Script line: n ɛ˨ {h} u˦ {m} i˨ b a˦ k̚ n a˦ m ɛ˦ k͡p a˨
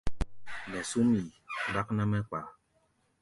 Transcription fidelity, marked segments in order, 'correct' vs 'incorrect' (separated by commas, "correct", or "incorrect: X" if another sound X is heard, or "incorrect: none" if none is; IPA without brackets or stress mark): incorrect: s, correct